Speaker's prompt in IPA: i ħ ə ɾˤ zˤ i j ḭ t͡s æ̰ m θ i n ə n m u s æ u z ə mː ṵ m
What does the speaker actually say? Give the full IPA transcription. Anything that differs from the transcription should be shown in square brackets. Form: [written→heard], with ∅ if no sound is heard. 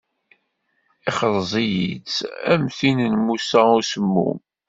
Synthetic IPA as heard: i [ħ→χ] ə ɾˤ zˤ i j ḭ t͡s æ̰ m θ i n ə n m u s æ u [z→s] ə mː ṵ m